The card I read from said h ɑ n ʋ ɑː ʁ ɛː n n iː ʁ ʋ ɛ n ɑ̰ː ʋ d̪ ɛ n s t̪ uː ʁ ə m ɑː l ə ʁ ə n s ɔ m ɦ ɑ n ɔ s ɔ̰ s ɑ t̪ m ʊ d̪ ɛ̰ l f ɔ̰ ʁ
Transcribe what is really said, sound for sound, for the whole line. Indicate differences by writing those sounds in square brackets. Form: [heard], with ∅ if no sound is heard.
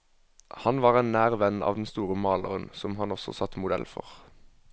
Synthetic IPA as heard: h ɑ n ʋ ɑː ʁ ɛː n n [æː] ʁ ʋ ɛ n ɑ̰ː ʋ d̪ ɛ n s t̪ uː ʁ ə m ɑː l ə ʁ ə n s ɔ m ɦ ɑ n ɔ s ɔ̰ s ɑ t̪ m ʊ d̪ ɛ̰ l f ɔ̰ ʁ

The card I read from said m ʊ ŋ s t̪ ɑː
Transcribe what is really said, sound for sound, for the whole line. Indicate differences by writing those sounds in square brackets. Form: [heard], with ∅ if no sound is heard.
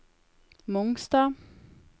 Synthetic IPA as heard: m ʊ ŋ s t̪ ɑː

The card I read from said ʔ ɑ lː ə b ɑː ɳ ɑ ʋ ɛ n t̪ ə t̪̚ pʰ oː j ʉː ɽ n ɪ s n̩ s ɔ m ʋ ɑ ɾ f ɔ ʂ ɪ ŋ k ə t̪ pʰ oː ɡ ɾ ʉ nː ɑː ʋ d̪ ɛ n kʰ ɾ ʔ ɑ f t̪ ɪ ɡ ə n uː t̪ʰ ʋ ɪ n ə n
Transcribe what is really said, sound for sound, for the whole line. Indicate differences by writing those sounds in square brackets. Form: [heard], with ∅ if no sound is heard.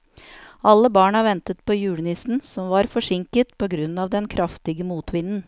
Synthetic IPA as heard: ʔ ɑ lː ə b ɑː ɳ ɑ ʋ ɛ n t̪ ə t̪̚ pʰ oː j ʉː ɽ n ɪ s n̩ s ɔ m ʋ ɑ ɾ f ɔ ʂ ɪ ŋ k ə t̪ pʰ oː ɡ ɾ ʉ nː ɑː ʋ d̪ ɛ n kʰ ɾ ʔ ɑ f t̪ ɪ ɡ ə [m] uː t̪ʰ ʋ ɪ n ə n

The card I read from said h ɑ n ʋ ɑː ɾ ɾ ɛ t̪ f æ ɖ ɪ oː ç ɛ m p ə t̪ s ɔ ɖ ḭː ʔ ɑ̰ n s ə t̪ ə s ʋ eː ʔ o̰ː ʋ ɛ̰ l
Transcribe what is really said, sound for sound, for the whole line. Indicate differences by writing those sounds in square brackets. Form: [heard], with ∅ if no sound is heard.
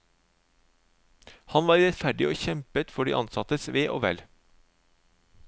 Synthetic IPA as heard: h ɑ n ʋ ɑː ɾ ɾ ɛ t̪ f æ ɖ ɪ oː ç ɛ m p ə t̪ [f] ɔ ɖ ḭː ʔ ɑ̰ n s [ɑ] t̪ ə s ʋ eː ʔ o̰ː ʋ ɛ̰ l

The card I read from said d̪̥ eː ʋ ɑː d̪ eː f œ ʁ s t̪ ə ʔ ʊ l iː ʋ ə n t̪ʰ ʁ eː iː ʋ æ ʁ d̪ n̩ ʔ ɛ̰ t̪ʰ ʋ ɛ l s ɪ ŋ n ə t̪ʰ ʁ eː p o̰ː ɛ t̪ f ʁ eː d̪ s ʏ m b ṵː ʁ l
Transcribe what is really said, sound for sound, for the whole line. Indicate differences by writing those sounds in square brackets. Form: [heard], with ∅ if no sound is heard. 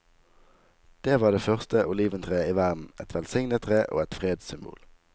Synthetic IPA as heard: d̪̥ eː ʋ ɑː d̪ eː f œ ʁ s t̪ ə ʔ ʊ l iː ʋ ə n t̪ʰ ʁ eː iː ʋ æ ʁ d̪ n̩ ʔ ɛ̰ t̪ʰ ʋ ɛ l s ɪ ŋ n ə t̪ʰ ʁ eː [ʔ] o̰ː ɛ t̪ f ʁ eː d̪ s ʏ m b ṵː [∅] l

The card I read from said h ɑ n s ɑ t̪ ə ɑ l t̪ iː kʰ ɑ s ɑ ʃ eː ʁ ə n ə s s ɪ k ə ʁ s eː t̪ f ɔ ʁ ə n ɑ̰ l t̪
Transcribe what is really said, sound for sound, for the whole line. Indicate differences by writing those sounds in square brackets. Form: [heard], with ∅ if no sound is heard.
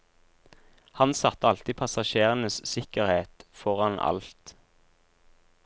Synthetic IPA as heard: h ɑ n s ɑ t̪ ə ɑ l t̪ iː [pʰ] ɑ s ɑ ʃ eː ʁ ə n ə s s ɪ k ə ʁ [h] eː t̪ f ɔ ʁ [ɑ] n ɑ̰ l t̪

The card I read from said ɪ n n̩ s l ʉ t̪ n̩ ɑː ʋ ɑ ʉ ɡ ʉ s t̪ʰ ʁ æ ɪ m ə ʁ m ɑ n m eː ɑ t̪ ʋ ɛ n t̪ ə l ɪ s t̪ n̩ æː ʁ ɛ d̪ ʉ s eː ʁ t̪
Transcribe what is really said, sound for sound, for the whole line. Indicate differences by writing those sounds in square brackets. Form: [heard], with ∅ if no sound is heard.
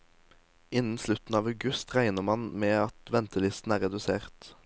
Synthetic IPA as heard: ɪ n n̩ s l ʉ t̪ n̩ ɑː ʋ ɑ ʉ ɡ ʉ s [t̪] ʁ æ ɪ [n] ə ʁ m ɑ n m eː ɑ t̪ ʋ ɛ n t̪ ə l ɪ s t̪ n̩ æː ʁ ɛ d̪ ʉ s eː ʁ t̪

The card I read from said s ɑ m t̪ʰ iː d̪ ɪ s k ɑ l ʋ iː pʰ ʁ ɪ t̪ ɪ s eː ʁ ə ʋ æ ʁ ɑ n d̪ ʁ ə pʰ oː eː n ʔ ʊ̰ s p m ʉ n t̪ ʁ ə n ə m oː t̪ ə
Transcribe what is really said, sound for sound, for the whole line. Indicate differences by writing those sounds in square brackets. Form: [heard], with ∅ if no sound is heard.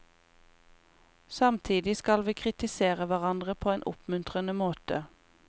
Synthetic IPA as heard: s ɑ m t̪ʰ iː d̪ ɪ s k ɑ l ʋ iː [kʰ] ʁ ɪ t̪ ɪ s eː ʁ ə ʋ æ ʁ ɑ n d̪ ʁ ə pʰ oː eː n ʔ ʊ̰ [∅] p m ʉ n t̪ ʁ ə n ə m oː t̪ ə

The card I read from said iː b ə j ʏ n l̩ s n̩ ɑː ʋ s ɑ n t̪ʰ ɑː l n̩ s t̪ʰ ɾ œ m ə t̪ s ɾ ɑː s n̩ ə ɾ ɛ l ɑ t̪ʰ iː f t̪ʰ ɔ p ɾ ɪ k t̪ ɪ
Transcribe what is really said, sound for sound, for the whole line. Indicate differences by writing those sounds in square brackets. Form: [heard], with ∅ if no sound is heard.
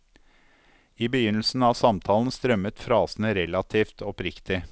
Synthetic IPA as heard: iː b ə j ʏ n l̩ s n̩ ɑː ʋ s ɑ [m] t̪ʰ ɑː l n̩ s [t̪] ɾ œ m ə t̪ [f] ɾ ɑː s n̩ ə ɾ ɛ l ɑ t̪ʰ iː f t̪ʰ ɔ p ɾ ɪ k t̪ ɪ

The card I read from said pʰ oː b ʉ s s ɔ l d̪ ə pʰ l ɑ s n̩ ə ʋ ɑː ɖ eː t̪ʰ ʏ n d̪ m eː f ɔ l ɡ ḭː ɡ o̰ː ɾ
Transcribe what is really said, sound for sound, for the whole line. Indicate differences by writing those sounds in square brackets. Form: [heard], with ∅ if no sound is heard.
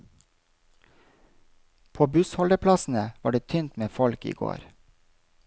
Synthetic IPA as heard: pʰ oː b ʉ s [h] ɔ l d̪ ə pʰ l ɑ s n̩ ə ʋ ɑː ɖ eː t̪ʰ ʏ n [t̪] m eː f ɔ l [k] ḭː ɡ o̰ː ɾ

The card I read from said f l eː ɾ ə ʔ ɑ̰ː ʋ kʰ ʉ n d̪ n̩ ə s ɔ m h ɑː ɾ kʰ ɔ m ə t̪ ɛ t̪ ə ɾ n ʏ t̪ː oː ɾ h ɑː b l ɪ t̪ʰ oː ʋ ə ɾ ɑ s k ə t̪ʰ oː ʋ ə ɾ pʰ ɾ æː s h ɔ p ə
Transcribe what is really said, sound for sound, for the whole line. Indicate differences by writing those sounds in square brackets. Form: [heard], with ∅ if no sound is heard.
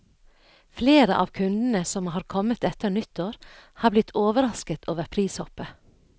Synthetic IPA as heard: f l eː ɾ ə ʔ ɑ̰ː ʋ kʰ ʉ n d̪ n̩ ə s ɔ m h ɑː ɾ kʰ ɔ m ə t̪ ɛ t̪ ə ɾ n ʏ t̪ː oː ɾ h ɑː b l ɪ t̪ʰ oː ʋ ə ɾ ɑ s k ə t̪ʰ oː ʋ ə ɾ pʰ ɾ [iː] s h ɔ p ə

